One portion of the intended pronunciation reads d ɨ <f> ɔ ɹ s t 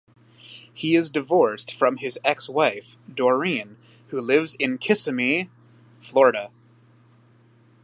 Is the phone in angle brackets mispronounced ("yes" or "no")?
yes